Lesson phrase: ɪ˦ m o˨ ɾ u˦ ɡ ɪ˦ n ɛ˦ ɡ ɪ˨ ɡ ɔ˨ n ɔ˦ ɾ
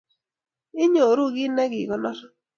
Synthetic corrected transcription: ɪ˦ ɲ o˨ ɾ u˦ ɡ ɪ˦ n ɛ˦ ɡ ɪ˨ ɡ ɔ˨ n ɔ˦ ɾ